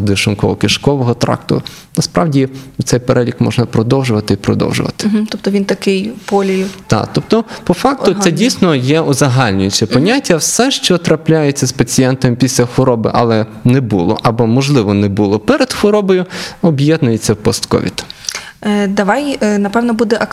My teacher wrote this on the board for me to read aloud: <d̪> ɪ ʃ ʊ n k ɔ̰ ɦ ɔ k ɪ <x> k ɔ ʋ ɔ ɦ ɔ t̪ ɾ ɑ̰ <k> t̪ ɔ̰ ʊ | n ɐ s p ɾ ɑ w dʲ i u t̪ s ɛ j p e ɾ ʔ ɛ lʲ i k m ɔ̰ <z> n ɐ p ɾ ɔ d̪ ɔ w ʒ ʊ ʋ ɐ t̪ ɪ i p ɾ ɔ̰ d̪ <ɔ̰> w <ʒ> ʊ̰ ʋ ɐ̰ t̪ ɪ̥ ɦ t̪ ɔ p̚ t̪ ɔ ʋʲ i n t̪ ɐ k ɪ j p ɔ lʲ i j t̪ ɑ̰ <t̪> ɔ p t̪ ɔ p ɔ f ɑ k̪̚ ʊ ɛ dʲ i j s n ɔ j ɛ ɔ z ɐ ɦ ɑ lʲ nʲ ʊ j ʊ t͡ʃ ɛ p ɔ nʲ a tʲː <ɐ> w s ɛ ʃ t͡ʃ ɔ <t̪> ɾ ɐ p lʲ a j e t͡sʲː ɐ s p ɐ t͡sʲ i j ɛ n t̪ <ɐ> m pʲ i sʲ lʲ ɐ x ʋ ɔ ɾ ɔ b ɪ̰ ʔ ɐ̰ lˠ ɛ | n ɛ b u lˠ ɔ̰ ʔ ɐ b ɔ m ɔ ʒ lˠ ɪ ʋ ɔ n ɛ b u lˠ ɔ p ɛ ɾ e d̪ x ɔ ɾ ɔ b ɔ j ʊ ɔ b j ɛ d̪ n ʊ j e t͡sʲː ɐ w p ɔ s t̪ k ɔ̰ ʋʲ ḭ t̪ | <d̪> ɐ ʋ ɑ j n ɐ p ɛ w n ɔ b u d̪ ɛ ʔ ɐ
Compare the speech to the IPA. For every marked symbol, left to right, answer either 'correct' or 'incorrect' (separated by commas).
correct, incorrect, correct, incorrect, correct, correct, correct, correct, correct, correct, correct